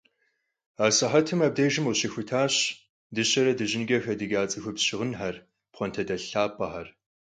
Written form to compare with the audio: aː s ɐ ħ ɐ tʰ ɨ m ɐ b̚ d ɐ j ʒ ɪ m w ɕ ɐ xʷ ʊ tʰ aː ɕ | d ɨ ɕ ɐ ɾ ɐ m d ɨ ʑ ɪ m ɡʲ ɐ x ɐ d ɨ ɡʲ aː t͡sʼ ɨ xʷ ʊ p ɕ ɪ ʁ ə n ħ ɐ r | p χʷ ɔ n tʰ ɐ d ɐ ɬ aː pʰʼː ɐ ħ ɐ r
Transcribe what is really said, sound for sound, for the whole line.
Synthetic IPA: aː s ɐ ħ ɐ tʰ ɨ m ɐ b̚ d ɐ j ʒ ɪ m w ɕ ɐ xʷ ʊ tʰ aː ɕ | d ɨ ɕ ɐ ɾ ɐ d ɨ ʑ ɪ n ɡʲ ɐ x ɐ d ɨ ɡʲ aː t͡sʼ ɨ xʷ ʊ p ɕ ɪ ʁ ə n ħ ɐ r | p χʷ ɔ n tʰ ɐ d ɐ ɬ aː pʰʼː ɐ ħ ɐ r